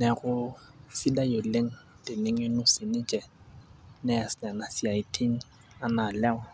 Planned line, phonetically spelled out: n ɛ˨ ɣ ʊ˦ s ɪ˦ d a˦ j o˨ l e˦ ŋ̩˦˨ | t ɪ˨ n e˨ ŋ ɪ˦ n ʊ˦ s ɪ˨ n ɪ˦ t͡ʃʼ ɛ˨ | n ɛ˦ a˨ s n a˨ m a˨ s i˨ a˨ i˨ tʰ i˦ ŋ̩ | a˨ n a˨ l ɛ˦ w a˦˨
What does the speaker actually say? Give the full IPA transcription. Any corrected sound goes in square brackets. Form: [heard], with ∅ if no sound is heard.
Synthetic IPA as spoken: n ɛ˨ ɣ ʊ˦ s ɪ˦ d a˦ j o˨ l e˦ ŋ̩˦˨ | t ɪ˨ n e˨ ŋ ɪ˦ n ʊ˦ s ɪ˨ n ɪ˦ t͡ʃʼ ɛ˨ | n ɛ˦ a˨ s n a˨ [n] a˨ s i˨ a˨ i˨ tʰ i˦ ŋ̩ | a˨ n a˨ l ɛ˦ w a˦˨